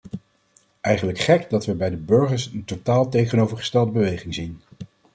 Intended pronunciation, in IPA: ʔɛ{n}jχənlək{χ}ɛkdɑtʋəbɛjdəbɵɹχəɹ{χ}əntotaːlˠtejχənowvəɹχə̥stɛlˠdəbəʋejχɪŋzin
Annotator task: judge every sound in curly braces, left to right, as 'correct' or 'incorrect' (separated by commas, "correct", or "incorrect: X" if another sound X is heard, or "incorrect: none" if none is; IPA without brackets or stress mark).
incorrect: none, correct, incorrect: s